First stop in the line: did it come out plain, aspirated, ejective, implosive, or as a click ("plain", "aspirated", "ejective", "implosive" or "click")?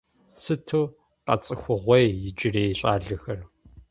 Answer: aspirated